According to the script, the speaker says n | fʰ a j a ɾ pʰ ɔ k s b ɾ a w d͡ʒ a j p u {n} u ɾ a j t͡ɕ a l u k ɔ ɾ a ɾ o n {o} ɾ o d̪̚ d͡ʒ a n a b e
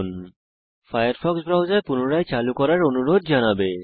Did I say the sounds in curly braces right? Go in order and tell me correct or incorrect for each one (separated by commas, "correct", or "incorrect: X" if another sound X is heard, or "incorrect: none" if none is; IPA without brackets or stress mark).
correct, incorrect: u